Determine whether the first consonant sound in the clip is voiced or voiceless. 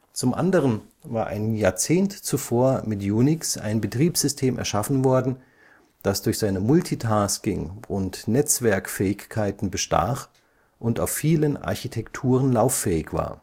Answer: voiceless